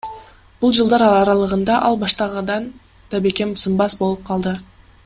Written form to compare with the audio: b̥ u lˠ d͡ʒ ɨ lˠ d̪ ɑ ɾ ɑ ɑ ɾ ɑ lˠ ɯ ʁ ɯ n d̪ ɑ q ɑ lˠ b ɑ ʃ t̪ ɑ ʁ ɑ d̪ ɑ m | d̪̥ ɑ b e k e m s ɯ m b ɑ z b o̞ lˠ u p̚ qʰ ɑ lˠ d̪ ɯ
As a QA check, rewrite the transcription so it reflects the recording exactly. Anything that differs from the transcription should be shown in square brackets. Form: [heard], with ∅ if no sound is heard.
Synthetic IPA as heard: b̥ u lˠ d͡ʒ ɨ lˠ d̪ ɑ ɾ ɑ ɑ ɾ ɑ lˠ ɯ ʁ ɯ n d̪ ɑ [ʔ] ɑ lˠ b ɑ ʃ t̪ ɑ ʁ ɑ d̪ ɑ [n] | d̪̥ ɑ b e k e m s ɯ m b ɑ [s] b o̞ lˠ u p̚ qʰ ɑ lˠ d̪ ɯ